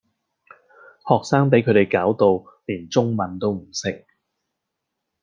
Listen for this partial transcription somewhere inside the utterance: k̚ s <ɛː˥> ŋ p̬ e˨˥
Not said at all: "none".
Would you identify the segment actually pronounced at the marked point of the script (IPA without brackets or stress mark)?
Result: aː˥